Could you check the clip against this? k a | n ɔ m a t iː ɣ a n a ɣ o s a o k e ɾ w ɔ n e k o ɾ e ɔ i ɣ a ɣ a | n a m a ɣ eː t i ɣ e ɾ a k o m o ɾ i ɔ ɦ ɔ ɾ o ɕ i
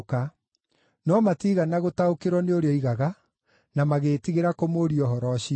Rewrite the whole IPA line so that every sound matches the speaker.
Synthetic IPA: k a | n ɔ m a t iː ɣ a n a ɣ o t a o k e ɾ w ɔ n e o ɾ e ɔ i ɣ a ɣ a | n a m a ɣ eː t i ɣ e ɾ a k o m o ɾ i ɔ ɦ ɔ ɾ ɔ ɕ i